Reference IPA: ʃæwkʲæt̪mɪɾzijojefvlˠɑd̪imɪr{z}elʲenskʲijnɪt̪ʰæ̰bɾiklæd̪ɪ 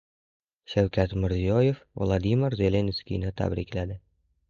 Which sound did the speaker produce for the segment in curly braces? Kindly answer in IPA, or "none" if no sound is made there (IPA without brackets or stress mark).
z